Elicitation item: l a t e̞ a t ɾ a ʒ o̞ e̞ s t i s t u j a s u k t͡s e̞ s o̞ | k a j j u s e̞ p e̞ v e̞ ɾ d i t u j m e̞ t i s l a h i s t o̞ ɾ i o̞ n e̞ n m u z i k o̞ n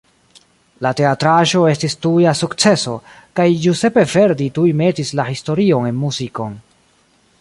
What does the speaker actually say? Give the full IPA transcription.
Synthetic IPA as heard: l a t e̞ a t ɾ a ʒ o̞ e̞ s t i s t u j a s u k t͡s e̞ s o̞ | k a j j u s e̞ p e̞ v e̞ ɾ d i t u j m e̞ t i s l a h i s t o̞ ɾ i o̞ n e̞ n m u z i k o̞ n